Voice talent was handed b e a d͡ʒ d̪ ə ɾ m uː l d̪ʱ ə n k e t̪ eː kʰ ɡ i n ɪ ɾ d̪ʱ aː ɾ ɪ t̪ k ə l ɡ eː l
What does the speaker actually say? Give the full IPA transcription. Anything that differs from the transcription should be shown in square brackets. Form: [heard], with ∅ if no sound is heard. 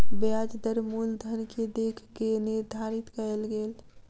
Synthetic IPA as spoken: b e a d͡ʒ d̪ ə ɾ m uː l d̪ʱ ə n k e [d̪] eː kʰ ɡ [e] n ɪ ɾ d̪ʱ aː ɾ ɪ t̪ k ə l ɡ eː l